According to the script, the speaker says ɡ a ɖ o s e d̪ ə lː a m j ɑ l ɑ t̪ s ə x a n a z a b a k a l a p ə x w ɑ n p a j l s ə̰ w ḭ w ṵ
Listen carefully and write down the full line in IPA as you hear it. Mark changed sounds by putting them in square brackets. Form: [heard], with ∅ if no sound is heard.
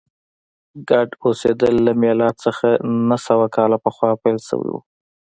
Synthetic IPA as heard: ɡ a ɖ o s e d̪ ə lː a m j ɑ l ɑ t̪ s ə x a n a [s] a [w] a k [ɑ] l a p ə x w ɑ [∅] p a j l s ə̰ w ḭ w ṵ